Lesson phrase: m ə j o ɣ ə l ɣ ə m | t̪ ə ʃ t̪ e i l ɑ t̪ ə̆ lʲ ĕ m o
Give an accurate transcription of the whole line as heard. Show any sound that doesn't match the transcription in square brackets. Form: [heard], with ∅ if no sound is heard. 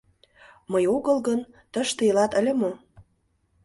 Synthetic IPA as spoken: m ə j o ɣ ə l ɣ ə [n] | t̪ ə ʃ t̪ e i l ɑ t̪ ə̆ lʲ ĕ m o